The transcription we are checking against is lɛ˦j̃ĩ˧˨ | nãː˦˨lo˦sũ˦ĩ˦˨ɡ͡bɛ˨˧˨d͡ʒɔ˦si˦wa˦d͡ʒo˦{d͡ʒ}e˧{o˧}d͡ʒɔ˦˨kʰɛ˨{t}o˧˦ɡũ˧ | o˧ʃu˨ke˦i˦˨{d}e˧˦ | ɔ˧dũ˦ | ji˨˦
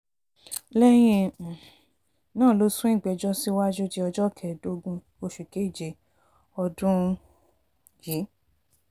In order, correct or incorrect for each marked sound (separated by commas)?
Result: correct, incorrect, incorrect, incorrect